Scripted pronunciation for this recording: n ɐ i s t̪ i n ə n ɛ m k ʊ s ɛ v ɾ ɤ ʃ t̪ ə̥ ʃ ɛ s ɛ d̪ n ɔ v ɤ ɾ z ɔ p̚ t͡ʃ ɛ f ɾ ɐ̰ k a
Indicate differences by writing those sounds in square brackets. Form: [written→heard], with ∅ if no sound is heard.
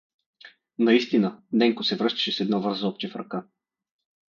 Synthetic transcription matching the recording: n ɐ i s t̪ i n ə n ɛ [m→ŋ] k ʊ s ɛ v ɾ ɤ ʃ t̪ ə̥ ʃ ɛ s ɛ d̪ n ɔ v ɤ ɾ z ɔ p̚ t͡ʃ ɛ f ɾ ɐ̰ k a